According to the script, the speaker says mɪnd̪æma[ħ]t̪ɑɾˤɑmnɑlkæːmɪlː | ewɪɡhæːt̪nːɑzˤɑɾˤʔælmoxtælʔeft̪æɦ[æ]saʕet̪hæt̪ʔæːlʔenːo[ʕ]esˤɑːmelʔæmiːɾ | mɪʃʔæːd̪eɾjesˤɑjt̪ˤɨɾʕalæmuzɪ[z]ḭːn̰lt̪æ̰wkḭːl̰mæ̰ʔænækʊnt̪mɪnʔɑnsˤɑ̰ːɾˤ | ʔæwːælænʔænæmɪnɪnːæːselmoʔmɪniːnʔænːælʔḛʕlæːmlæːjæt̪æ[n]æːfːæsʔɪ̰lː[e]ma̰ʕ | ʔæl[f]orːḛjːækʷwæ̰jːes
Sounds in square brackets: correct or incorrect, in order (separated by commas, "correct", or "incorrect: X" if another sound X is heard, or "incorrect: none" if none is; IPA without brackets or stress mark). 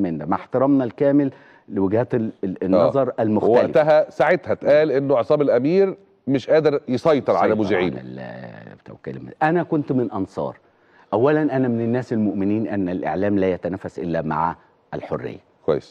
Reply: correct, correct, correct, incorrect: ʕ, correct, incorrect: æ, incorrect: ħ